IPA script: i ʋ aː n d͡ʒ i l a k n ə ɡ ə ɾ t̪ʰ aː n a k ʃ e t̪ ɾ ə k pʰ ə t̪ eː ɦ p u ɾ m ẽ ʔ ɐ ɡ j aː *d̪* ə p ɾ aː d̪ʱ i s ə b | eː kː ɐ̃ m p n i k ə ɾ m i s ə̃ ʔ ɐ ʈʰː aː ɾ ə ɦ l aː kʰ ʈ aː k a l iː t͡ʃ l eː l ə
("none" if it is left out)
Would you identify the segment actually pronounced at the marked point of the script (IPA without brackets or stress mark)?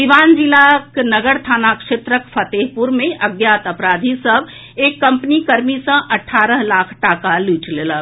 t̪